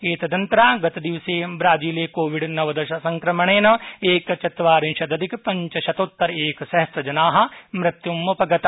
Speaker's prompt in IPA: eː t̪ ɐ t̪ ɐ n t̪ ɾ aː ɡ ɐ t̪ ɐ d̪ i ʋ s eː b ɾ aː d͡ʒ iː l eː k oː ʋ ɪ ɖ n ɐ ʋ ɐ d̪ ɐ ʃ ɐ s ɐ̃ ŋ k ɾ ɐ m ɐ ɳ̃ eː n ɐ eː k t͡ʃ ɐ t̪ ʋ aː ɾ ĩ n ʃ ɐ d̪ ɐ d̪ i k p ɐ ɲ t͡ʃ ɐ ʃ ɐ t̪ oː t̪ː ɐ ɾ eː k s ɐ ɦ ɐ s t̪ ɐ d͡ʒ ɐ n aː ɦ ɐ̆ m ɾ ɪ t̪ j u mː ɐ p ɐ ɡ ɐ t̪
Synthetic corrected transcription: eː t̪ ɐ d̪ ɐ n t̪ ɾ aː ɡ ɐ t̪ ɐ d̪ i ʋ s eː b ɾ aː d͡ʒ iː l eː k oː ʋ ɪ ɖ n ɐ ʋ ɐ d̪ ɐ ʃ ɐ s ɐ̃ ŋ k ɾ ɐ m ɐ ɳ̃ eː n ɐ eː k t͡ʃ ɐ t̪ ʋ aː ɾ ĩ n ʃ ɐ d̪ ɐ d̪ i k p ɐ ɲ t͡ʃ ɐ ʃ ɐ t̪ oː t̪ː ɐ ɾ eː k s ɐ ɦ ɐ s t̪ ɐ d͡ʒ ɐ n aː ɦ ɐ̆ m ɾ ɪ t̪ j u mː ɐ p ɐ ɡ ɐ t̪